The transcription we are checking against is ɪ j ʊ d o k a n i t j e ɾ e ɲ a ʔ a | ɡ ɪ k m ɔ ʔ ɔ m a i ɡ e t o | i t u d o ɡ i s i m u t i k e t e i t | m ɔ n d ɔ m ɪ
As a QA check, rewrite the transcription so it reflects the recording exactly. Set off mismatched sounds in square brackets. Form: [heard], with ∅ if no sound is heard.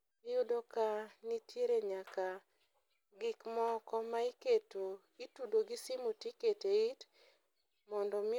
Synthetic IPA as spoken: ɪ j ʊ d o k a n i t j e ɾ e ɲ a [k] a | ɡ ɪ k m ɔ [k] ɔ m a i [k] e t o | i t u d o ɡ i s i m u t i k e t e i t | m ɔ n d ɔ m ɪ